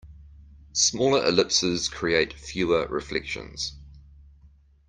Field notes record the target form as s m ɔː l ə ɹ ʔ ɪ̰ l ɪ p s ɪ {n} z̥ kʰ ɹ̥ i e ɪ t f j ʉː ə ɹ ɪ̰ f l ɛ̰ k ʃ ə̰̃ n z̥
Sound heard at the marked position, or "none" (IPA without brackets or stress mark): none